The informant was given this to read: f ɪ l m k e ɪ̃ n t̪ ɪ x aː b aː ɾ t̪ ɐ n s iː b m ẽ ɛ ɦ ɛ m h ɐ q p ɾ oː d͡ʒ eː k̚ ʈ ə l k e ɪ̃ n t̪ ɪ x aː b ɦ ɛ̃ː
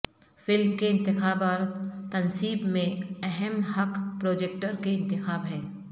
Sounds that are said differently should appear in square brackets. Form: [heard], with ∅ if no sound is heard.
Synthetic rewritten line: f ɪ l m k e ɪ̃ n t̪ ɪ x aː b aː ɾ t̪ ɐ n s iː b m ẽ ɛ ɦ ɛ m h ɐ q p ɾ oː d͡ʒ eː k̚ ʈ ə [ɾ] k e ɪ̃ n t̪ ɪ x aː b ɦ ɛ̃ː

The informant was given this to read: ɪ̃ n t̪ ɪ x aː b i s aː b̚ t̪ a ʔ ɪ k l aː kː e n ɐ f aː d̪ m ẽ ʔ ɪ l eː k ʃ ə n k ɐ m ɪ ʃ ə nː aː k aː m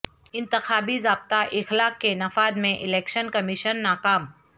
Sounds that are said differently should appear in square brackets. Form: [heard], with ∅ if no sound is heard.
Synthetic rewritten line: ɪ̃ n t̪ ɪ x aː b i [z] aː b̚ t̪ a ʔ ɪ [x] l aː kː e n ɐ f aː d̪ m ẽ ʔ ɪ l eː k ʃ ə n k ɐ m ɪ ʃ ə nː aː k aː m

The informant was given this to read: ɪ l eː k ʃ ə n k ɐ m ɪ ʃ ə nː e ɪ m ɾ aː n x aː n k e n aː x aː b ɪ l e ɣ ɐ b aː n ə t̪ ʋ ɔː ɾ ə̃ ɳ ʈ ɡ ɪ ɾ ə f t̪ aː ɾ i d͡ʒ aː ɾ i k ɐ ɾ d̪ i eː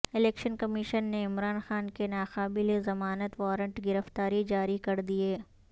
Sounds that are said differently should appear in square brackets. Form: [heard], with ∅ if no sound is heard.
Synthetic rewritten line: ɪ l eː k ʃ ə n k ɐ m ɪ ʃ ə nː e ɪ m ɾ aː n x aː n k e n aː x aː b ɪ l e [z] ɐ [m] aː n ə t̪ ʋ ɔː ɾ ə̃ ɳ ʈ ɡ ɪ ɾ ə f t̪ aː ɾ i d͡ʒ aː ɾ i k ɐ ɾ d̪ i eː

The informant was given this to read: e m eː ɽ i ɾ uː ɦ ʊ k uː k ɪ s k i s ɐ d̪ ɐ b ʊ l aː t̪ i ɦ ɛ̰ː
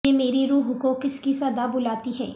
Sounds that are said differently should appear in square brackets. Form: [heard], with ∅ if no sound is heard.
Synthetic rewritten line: e m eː [ɾ] i ɾ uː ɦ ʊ k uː k ɪ s k i s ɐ d̪ [a] b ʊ l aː t̪ i ɦ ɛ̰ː

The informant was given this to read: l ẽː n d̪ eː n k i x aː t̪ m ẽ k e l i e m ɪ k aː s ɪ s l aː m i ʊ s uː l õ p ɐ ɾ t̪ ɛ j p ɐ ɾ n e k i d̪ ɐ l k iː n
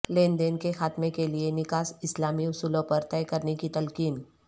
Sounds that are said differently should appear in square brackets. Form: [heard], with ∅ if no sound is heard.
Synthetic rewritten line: l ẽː n d̪ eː n k [e] x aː t̪ m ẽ k e l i e [n] ɪ k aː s ɪ s l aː m i ʊ s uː l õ p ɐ ɾ t̪ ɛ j [k] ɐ ɾ n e k i [t̪] ɐ l k iː n

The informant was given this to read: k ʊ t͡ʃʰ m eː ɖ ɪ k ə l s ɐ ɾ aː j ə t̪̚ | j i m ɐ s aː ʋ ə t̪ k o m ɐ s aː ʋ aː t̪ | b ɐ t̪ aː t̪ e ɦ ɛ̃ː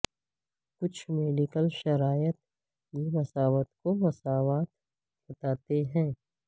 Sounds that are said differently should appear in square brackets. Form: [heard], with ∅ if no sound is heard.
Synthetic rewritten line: k ʊ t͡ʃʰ m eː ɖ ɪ k ə l [ʃ] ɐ ɾ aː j ə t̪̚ | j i m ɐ s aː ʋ ə t̪ k o m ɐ s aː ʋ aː t̪ | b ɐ t̪ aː t̪ e ɦ ɛ̃ː

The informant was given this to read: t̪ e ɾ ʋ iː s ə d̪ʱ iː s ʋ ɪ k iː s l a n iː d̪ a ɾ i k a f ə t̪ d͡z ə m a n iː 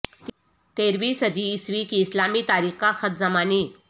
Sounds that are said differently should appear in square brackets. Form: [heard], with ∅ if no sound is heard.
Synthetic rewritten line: t̪ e ɾ ʋ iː s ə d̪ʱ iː s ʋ [i] k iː s l a [m] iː [t̪] a ɾ i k a [x] ə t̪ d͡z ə m a n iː

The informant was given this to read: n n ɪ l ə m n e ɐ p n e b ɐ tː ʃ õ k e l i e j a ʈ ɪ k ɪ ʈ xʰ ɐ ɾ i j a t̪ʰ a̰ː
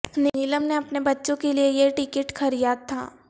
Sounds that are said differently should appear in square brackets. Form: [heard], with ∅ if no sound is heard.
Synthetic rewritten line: n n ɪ l ə m n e ɐ p n e b ɐ tː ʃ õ k e l i e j [e] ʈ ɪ k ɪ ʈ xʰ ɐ ɾ i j a t̪ʰ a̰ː

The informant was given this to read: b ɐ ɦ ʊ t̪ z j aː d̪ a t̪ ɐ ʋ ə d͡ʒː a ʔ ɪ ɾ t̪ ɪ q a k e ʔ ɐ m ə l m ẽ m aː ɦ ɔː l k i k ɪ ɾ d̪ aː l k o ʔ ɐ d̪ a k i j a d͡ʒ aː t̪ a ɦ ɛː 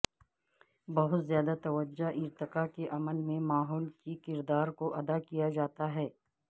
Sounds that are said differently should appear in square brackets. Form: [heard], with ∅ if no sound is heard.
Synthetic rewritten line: b ɐ ɦ ʊ t̪ z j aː d̪ a t̪ ɐ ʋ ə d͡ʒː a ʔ ɪ ɾ t̪ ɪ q a k e ʔ ɐ m ə l m ẽ m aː ɦ ɔː l k i k ɪ ɾ d̪ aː [ɾ] k o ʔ ɐ d̪ a k i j a d͡ʒ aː t̪ a ɦ ɛː

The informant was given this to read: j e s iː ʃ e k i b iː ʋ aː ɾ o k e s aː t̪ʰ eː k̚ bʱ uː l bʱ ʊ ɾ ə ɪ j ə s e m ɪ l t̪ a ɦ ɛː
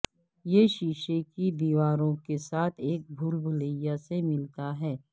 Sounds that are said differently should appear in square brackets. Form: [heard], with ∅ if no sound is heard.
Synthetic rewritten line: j e [ʃ] iː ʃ e k i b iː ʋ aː ɾ [õ] k e s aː t̪ʰ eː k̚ bʱ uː l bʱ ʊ [l] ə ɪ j [a] s e m ɪ l t̪ a ɦ ɛː

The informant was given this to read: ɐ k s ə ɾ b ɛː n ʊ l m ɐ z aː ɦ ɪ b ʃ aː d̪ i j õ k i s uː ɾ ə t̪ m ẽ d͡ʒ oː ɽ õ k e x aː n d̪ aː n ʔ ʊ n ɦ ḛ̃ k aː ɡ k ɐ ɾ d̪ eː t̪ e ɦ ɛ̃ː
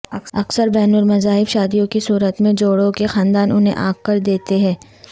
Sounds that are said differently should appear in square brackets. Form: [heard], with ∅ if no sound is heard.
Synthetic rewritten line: ɐ k s ə ɾ b ɛː n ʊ l m ɐ z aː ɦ ɪ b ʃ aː d̪ i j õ k i s uː ɾ ə t̪ m ẽ d͡ʒ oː ɽ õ k e x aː n d̪ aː n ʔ ʊ n ɦ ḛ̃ [ʔ] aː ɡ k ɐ ɾ d̪ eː t̪ e ɦ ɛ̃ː

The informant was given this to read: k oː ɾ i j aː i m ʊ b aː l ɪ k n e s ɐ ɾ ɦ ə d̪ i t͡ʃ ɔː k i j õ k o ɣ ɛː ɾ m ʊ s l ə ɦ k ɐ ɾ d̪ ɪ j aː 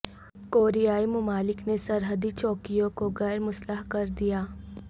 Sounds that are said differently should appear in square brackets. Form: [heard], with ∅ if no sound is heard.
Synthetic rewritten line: k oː ɾ i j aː i m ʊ [m] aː l ɪ k n e s ɐ ɾ ɦ ə d̪ i t͡ʃ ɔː k i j õ k o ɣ ɛː ɾ m ʊ s l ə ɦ k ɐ ɾ d̪ [i] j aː

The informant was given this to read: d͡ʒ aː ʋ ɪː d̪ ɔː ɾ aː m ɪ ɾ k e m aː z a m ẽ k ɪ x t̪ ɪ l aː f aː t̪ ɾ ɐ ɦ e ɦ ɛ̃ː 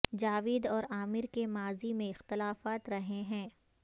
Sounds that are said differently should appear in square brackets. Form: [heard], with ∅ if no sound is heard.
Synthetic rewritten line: d͡ʒ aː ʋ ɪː d̪ ɔː ɾ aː m ɪ ɾ k e m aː z [i] m ẽ [∅] ɪ x t̪ ɪ l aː f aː t̪ ɾ ɐ ɦ e ɦ ɛ̃ː

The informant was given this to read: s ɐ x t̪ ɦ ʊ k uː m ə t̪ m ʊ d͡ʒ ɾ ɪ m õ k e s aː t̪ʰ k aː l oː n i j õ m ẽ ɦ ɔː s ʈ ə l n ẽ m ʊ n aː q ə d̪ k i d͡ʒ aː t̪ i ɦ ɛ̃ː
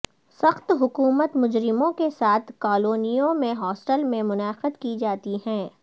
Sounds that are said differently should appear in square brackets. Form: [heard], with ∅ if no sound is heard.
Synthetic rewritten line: s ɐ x t̪ ɦ ʊ k uː m ə t̪ m ʊ d͡ʒ ɾ ɪ m õ k e s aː t̪ʰ k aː l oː n i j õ m ẽ ɦ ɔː s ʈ ə l [m] ẽ m ʊ n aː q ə d̪ k i d͡ʒ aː t̪ i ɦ ɛ̃ː

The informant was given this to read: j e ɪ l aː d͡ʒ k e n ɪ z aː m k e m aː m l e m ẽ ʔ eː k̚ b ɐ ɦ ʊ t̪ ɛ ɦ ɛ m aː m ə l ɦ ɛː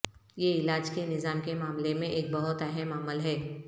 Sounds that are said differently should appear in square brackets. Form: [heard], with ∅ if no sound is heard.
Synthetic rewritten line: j e ɪ l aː d͡ʒ k e n ɪ z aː m k e m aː m l e m ẽ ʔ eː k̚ b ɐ ɦ ʊ t̪ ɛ ɦ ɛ m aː m ə l ɦ ɛː

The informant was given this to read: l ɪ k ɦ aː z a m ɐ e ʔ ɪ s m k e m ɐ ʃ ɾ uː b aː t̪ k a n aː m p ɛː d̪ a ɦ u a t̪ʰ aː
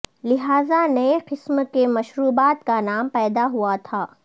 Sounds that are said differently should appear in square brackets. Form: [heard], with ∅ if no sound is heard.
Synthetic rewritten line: l ɪ [∅] ɦ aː z a [n] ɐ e [q] ɪ s m k e m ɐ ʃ ɾ uː b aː t̪ k a n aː m p ɛː d̪ a ɦ u a t̪ʰ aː

